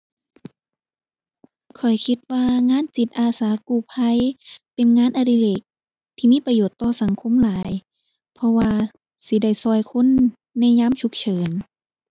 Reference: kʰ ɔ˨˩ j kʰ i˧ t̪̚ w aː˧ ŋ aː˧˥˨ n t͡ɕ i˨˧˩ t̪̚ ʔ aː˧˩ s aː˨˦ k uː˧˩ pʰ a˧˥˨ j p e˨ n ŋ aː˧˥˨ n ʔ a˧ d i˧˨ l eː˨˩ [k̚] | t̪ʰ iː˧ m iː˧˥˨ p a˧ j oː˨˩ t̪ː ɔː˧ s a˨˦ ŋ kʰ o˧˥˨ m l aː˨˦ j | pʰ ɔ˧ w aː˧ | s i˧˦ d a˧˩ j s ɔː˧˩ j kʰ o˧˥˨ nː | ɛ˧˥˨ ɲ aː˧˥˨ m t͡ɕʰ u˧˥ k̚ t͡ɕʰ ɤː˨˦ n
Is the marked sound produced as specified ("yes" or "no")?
yes